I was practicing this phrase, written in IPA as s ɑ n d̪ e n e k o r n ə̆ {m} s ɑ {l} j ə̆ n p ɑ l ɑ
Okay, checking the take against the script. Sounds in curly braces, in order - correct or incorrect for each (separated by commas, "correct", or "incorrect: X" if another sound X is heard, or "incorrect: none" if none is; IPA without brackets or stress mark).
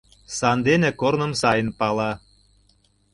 correct, incorrect: none